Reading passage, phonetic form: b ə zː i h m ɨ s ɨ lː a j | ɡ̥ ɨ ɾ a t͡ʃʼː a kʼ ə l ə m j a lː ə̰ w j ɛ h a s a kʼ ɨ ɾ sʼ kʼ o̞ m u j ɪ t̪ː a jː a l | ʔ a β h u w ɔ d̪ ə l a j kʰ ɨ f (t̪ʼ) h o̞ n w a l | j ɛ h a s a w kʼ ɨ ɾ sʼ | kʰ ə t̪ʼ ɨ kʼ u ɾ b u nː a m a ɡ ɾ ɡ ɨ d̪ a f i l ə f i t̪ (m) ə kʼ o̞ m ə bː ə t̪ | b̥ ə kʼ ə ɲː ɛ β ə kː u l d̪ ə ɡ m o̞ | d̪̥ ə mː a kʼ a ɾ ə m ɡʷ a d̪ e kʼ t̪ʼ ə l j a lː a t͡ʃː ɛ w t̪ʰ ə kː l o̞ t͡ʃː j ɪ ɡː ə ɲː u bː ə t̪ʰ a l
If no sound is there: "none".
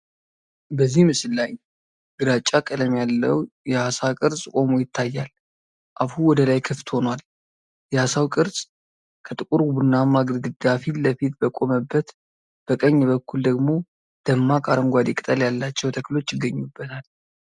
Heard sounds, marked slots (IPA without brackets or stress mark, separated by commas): t̪, b